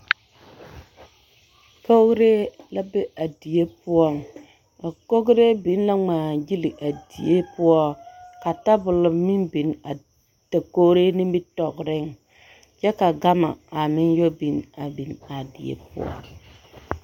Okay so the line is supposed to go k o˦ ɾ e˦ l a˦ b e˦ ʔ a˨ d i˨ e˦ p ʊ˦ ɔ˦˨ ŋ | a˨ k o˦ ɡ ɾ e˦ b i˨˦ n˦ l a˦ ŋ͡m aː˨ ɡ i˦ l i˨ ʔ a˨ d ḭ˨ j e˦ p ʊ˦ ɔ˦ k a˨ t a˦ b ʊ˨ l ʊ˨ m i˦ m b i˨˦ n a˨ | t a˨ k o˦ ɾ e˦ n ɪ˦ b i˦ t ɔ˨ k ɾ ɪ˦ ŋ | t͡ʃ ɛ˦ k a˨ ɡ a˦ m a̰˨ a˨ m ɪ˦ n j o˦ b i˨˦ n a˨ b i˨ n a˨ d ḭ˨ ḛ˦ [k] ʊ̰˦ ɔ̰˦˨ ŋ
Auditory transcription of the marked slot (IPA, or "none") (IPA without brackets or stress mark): p